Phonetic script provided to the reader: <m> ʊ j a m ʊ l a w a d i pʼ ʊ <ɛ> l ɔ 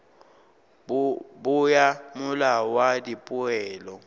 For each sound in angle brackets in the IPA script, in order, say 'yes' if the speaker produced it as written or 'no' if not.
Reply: no, no

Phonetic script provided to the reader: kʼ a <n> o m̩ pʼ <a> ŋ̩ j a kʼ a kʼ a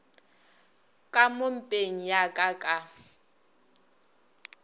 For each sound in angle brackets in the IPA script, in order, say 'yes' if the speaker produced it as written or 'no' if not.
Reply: no, no

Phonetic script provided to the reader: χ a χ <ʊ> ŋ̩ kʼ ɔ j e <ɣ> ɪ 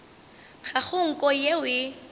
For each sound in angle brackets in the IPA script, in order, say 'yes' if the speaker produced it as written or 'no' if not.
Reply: yes, no

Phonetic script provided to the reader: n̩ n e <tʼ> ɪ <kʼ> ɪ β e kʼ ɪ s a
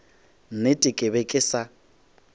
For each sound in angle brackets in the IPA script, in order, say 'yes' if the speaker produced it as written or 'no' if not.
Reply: yes, yes

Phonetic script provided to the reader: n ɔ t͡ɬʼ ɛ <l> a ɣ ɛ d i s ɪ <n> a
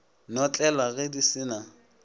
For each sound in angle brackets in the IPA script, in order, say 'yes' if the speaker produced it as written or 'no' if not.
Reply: yes, yes

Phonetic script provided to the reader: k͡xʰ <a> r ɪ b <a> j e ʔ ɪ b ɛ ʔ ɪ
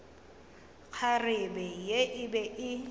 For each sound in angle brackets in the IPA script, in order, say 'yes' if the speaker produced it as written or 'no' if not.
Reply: yes, no

